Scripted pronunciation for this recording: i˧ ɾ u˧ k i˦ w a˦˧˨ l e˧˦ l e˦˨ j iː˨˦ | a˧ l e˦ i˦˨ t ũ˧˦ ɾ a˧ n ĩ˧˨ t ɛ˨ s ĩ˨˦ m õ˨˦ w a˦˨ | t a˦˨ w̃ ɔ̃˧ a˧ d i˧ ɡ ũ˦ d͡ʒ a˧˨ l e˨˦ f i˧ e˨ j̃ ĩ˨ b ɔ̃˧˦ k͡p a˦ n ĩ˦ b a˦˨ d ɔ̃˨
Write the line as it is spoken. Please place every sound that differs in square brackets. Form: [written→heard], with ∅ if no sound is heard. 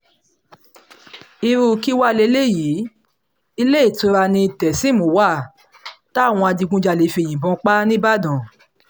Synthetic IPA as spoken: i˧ ɾ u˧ k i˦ w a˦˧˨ l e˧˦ l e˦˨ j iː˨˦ | [a˧→i˧] l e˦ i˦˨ t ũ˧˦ ɾ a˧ n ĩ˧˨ t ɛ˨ s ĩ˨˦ m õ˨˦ w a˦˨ | t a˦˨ w̃ ɔ̃˧ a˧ d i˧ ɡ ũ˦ d͡ʒ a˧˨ l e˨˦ f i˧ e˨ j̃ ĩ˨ b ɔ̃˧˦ k͡p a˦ n ĩ˦ b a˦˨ d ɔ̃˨

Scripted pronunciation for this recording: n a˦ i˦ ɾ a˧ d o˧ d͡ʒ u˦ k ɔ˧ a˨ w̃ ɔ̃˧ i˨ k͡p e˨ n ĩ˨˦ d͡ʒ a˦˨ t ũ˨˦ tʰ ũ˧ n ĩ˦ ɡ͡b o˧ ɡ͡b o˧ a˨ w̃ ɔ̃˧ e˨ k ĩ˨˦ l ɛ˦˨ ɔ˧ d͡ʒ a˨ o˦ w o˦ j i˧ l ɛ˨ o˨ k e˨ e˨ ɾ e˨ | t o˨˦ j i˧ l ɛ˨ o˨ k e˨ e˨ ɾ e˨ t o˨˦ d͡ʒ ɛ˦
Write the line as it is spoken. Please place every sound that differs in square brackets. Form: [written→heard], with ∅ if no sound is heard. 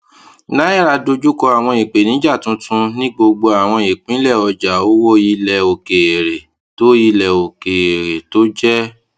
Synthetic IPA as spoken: n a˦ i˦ ɾ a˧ d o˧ d͡ʒ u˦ k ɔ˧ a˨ w̃ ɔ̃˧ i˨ k͡p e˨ n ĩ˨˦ d͡ʒ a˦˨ t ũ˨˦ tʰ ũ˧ n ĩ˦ ɡ͡b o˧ ɡ͡b o˧ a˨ w̃ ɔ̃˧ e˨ [k→k͡p] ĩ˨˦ l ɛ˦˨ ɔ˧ d͡ʒ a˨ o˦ w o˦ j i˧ l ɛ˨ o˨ k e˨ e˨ ɾ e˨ | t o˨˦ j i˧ l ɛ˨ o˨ k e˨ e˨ ɾ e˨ t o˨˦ d͡ʒ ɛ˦

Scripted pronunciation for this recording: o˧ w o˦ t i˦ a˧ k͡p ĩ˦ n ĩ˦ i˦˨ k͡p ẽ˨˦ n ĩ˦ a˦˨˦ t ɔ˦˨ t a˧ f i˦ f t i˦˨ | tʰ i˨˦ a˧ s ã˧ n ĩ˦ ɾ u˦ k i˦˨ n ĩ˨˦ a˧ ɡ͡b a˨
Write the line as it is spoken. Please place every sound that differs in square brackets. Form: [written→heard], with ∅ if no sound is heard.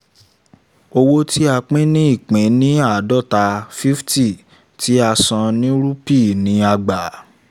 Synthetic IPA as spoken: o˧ w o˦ t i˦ a˧ k͡p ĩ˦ n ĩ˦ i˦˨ k͡p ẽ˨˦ n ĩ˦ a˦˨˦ [t→d] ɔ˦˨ t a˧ f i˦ f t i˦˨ | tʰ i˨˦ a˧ s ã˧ n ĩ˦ ɾ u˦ [k→p] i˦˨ n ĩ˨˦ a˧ ɡ͡b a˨

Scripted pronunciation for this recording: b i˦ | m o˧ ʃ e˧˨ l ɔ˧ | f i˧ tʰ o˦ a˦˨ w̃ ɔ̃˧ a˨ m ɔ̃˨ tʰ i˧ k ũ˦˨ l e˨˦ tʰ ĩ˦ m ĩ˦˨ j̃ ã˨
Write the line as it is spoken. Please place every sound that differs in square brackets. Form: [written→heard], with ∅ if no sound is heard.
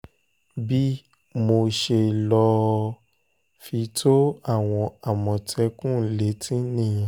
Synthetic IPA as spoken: b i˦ | m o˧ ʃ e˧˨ l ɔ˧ | f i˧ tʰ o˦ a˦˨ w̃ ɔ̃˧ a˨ m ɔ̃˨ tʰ [i˧→ɛ˧] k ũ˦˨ l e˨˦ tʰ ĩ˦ [m→n] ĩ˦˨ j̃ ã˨

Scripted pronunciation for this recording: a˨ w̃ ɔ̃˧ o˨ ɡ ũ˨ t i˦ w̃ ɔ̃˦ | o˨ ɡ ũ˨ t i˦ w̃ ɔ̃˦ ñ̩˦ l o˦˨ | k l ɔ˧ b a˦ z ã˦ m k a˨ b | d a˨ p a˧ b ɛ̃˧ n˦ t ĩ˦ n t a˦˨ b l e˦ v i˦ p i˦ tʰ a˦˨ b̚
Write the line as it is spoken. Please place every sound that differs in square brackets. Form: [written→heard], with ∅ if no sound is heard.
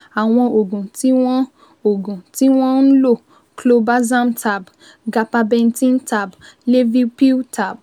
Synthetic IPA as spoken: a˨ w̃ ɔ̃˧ o˨ ɡ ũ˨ t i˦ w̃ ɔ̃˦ | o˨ ɡ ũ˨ t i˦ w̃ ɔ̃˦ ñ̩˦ l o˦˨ | k l [ɔ˧→o˧] b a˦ z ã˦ m [k→t] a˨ b | [d→ɡ] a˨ p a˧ b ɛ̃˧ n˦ t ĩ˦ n t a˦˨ b l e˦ v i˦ p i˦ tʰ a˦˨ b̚

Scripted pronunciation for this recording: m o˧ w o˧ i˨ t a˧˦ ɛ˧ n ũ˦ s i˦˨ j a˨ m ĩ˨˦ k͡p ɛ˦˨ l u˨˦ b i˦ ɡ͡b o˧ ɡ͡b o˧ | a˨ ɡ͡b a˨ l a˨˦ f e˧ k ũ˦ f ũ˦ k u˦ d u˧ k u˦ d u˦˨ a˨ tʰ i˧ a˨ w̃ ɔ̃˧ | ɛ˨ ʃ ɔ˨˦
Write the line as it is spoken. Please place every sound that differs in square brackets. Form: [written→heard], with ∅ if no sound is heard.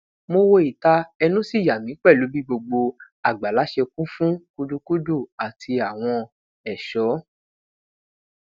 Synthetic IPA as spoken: m o˧ w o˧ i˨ t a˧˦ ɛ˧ n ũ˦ s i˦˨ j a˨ m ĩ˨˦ k͡p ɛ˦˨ l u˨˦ b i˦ ɡ͡b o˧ ɡ͡b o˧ | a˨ ɡ͡b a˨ l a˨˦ [f→ʃ] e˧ k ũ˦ f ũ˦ k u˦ d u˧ k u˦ d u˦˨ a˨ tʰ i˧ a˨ w̃ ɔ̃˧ | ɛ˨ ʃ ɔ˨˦

